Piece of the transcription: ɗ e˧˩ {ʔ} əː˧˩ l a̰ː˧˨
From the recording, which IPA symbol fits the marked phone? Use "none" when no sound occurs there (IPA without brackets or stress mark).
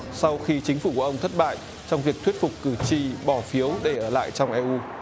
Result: ʔ